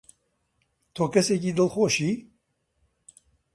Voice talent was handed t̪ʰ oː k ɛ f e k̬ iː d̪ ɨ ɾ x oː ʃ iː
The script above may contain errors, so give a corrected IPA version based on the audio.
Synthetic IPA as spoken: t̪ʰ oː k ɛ s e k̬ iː d̪ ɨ l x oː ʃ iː